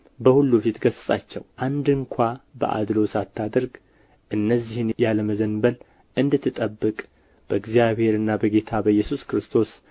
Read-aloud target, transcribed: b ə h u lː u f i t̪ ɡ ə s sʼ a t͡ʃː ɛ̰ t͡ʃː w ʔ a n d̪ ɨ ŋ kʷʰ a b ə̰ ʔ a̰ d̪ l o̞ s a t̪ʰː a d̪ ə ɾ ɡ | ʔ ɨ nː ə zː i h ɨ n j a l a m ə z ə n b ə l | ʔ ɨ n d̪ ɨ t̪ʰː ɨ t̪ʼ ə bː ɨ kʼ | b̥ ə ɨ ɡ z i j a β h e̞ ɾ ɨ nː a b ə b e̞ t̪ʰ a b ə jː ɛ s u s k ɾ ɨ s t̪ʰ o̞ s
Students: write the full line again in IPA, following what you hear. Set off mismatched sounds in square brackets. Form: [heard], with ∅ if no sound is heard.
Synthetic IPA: b ə h u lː u f i t̪ ɡ ə s sʼ a t͡ʃː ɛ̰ [∅] w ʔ a n d̪ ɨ ŋ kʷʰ a b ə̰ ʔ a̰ d̪ l o̞ s a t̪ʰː a d̪ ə ɾ ɡ | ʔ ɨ nː ə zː i h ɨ n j a l [ə] m ə z ə n b ə l | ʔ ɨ n d̪ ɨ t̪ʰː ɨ t̪ʼ ə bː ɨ kʼ | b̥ ə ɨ ɡ z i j a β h e̞ ɾ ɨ nː a b ə [ɡ] e̞ t̪ʰ a b ə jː ɛ s u s k ɾ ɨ s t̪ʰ o̞ s